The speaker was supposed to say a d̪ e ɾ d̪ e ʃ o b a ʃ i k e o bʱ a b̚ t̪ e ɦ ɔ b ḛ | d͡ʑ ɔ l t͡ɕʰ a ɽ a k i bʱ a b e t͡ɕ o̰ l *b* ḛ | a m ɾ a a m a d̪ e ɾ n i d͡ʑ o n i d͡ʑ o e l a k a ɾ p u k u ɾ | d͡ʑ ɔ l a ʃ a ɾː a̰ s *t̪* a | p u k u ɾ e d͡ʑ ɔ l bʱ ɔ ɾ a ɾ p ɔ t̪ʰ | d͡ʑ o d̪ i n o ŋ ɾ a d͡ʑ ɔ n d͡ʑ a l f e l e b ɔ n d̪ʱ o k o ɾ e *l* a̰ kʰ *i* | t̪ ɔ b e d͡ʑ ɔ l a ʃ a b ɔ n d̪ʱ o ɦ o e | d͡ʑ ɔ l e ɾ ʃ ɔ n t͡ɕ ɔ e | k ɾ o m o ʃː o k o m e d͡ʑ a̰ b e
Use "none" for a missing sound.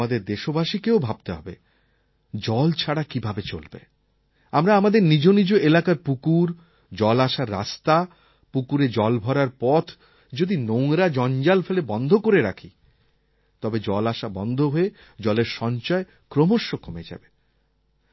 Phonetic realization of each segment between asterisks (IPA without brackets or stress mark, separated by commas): b, t̪, ɾ, i